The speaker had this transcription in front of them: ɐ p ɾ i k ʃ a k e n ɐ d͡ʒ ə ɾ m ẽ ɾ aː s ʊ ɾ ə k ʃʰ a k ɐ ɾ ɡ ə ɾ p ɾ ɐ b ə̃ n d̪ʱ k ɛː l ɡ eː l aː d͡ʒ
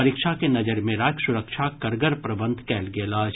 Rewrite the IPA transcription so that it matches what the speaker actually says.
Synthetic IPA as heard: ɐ ɾ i k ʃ a k e n ɐ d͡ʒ ə ɾ m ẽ ɾ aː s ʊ ɾ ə k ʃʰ a k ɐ ɾ ɡ ə ɾ p ɾ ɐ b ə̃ n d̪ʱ k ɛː l ɡ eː l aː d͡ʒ